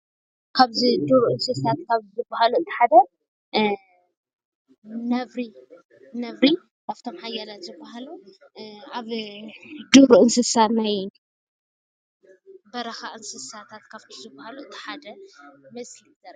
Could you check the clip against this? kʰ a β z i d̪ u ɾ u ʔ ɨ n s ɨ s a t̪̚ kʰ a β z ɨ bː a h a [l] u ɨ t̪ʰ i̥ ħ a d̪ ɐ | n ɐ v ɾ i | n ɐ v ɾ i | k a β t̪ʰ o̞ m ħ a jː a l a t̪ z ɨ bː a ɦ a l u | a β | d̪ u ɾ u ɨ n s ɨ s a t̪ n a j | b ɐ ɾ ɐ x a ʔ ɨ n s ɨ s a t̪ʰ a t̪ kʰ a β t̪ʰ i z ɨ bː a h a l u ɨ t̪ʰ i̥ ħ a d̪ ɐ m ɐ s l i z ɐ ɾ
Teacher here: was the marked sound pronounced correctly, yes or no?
yes